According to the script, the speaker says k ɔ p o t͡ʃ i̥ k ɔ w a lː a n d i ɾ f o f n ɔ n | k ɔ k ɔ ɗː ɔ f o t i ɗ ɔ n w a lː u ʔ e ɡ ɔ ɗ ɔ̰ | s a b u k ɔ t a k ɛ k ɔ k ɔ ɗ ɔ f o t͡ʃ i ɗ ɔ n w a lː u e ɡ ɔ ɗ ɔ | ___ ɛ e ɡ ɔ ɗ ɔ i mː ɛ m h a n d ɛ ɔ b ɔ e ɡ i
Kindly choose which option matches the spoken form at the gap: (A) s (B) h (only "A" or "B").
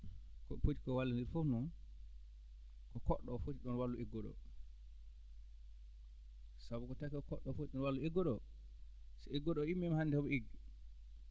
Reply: A